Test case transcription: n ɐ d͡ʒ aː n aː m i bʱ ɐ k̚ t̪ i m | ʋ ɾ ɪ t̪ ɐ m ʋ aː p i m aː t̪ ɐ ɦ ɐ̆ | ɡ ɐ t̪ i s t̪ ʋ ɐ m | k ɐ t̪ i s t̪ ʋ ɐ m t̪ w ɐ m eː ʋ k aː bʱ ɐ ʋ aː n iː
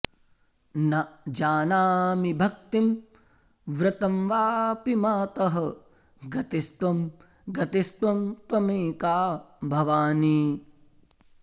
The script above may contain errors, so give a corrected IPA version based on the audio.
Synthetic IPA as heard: n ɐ d͡ʒ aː n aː m i bʱ ɐ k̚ t̪ i m | ʋ ɾ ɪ t̪ ɐ m ʋ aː p i m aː t̪ ɐ ɦ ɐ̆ | ɡ ɐ t̪ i s t̪ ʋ ɐ m | ɡ ɐ t̪ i s t̪ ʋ ɐ m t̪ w ɐ m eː k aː bʱ ɐ ʋ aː n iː